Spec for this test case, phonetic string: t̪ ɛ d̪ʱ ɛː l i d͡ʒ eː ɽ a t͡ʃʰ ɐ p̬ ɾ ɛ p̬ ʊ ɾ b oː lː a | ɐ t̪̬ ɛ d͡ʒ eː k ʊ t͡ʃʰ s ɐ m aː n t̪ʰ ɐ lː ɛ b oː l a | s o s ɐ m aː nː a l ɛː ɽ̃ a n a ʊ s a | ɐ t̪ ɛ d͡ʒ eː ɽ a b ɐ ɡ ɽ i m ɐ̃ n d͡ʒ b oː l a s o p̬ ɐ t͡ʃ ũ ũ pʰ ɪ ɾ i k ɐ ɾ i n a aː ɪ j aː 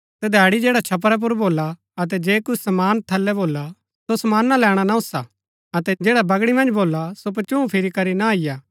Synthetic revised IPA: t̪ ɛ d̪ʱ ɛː ɽ i d͡ʒ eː ɽ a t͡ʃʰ ɐ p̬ ɾ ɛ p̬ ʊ ɾ b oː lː a | ɐ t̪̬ ɛ d͡ʒ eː k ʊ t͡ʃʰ s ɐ m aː n t̪ʰ ɐ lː ɛ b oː l a | s o s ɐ m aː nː a l ɛː ɽ̃ a n a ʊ s a | ɐ t̪ ɛ d͡ʒ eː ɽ a b ɐ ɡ ɽ i m ɐ̃ n d͡ʒ b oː l a s o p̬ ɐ t͡ʃ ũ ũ pʰ ɪ ɾ i k ɐ ɾ i n a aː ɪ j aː